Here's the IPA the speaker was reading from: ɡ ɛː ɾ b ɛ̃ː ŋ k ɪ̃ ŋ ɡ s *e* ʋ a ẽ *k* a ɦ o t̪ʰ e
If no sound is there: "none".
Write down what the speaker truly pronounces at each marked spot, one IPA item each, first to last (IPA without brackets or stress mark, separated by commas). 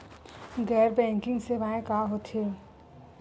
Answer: e, k